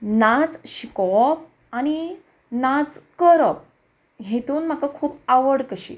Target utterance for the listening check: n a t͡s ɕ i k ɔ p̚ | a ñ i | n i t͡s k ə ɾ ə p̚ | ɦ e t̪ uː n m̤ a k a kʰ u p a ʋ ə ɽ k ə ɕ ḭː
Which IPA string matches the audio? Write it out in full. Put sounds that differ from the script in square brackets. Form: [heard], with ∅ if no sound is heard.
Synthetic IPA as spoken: n a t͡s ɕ i k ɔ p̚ | a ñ i | n [a] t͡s k ə ɾ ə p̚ | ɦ e t̪ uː n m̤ a k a kʰ [uː] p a ʋ ə ɽ k ə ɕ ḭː